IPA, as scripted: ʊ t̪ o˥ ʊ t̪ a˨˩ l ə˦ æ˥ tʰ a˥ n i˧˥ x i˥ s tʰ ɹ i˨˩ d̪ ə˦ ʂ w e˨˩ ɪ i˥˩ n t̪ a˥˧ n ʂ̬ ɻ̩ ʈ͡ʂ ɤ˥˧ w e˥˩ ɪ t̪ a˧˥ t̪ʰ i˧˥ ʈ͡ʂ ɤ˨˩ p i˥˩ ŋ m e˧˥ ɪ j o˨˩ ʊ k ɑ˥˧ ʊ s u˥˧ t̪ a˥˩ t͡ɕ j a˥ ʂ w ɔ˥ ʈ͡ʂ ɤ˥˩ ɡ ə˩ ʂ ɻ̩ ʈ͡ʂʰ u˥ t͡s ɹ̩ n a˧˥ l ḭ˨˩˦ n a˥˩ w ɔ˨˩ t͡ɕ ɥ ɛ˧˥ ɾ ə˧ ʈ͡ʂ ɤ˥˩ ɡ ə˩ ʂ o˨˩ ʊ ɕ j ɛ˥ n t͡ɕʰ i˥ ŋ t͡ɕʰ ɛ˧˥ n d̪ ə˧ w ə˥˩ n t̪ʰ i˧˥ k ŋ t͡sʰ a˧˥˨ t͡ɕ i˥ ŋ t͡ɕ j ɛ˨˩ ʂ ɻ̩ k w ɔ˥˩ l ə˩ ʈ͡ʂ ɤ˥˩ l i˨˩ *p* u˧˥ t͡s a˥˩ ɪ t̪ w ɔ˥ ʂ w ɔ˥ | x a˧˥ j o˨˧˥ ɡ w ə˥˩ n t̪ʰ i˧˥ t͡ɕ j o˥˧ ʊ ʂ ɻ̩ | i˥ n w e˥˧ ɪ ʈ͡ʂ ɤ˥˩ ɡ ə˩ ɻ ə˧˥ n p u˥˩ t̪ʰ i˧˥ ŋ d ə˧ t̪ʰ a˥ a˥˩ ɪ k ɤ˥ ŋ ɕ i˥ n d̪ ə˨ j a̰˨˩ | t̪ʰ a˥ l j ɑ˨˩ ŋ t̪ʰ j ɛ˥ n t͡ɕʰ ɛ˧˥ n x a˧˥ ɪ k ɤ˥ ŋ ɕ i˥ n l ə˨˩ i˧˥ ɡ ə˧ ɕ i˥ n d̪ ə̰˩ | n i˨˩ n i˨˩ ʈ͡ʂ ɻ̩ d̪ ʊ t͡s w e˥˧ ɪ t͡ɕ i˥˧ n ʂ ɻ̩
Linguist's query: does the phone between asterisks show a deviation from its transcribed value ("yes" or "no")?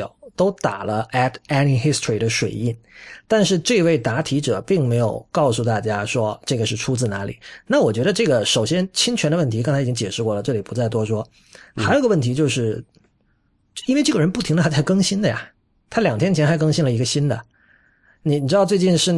no